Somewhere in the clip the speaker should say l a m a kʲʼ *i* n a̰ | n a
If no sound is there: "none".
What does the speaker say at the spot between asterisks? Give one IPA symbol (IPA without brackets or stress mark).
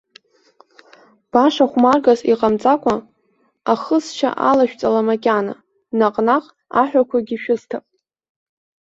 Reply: a